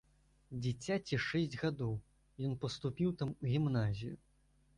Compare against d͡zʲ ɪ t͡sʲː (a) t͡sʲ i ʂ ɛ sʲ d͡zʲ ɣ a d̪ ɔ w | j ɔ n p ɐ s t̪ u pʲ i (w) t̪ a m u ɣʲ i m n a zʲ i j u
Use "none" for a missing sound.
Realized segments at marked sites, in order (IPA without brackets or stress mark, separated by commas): a, w